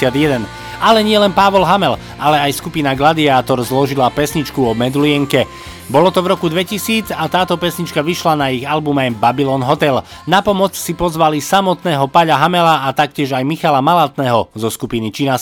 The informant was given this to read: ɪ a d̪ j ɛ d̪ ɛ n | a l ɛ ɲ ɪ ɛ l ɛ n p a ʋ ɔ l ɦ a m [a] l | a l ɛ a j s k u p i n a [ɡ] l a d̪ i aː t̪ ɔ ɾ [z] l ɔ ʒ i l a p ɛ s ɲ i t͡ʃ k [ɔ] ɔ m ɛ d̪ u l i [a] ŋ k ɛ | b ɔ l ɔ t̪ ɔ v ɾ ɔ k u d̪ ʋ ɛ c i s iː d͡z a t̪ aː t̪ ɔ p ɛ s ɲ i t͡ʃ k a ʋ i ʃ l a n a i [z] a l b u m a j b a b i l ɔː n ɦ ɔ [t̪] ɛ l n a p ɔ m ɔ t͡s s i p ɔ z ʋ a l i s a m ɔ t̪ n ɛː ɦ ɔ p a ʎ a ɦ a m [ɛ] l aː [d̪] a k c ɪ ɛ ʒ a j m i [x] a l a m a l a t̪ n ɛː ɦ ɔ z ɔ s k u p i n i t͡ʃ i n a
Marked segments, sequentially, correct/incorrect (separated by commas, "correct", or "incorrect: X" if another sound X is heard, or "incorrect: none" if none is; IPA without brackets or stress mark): incorrect: ɛ, correct, correct, incorrect: u, incorrect: ɛ, incorrect: ɣ, correct, correct, incorrect: t̪, correct